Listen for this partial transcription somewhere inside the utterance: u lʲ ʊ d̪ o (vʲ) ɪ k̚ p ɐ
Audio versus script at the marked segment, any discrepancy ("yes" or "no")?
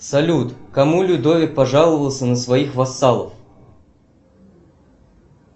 no